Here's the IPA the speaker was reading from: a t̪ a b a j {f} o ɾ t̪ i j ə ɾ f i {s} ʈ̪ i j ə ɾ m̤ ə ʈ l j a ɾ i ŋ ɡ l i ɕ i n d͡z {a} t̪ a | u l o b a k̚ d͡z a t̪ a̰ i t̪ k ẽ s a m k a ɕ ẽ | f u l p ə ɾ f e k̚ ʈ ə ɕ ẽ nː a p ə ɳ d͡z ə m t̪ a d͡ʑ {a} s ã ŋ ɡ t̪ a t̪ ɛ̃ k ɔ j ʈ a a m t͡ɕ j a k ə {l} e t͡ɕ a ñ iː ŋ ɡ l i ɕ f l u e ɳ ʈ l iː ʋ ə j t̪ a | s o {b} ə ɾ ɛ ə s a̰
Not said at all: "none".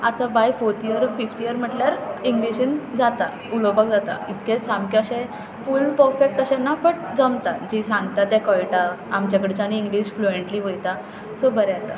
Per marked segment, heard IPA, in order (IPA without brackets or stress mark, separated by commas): f, f, a, i, ɽ, b